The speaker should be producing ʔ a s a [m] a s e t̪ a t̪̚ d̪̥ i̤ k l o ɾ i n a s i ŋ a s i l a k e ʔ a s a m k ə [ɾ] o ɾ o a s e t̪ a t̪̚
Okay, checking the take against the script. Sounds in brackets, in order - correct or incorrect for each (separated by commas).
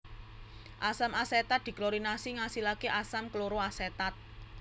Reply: correct, incorrect